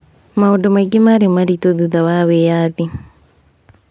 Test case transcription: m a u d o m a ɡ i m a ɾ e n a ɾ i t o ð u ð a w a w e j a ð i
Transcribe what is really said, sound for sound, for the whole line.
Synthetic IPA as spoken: m a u d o m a ɡ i m a ɾ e m a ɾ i t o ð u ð a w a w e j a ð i